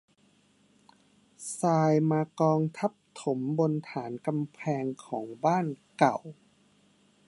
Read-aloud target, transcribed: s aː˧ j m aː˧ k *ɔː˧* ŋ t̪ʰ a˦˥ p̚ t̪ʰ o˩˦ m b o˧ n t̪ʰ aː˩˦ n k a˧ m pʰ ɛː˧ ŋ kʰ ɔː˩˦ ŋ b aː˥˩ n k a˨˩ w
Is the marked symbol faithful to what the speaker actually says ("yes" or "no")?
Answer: yes